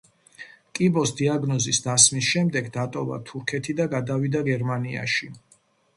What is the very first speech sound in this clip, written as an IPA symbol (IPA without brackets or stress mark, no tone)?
kʼ